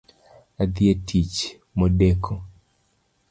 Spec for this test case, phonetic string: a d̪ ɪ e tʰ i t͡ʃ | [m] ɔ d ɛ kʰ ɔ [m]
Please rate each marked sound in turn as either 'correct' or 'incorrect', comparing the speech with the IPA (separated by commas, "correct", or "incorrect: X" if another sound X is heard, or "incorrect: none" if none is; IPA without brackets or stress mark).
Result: correct, incorrect: none